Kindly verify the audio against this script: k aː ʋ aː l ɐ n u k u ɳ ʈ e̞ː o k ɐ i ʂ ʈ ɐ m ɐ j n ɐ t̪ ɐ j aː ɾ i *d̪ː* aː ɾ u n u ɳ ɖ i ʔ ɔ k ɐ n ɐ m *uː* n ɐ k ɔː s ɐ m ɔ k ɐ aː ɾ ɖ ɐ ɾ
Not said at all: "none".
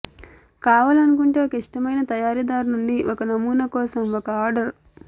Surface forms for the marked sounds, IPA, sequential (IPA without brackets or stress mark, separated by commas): d̪, uː